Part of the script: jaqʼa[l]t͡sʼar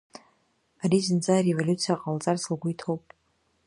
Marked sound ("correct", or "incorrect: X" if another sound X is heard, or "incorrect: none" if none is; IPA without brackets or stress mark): correct